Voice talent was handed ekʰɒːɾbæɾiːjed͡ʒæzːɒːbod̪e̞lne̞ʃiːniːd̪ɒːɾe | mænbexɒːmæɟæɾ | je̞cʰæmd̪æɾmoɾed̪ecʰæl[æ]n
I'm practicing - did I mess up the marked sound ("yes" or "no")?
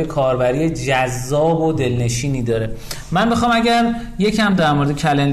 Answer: yes